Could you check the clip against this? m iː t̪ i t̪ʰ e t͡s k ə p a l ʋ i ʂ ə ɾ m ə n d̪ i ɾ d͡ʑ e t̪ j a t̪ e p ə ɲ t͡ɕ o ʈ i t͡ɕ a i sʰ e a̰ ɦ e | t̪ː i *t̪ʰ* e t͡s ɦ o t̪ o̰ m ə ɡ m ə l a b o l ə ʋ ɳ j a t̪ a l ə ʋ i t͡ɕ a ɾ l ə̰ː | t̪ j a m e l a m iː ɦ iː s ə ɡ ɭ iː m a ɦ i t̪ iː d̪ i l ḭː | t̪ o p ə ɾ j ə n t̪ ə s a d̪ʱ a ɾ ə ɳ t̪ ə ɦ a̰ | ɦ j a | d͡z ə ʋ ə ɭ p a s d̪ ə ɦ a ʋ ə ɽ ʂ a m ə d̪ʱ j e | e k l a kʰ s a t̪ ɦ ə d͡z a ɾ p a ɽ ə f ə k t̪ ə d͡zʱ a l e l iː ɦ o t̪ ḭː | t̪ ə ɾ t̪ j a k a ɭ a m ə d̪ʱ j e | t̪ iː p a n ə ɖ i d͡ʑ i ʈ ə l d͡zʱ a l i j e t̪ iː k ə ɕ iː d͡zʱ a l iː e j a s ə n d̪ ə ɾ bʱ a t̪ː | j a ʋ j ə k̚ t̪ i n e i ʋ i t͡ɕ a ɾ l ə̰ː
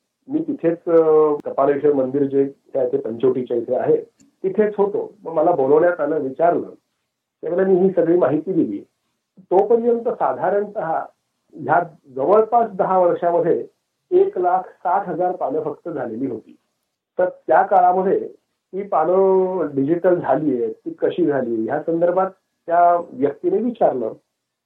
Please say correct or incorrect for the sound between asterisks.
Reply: correct